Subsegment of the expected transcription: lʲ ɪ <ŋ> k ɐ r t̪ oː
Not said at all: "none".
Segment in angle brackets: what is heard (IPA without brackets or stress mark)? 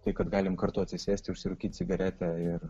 m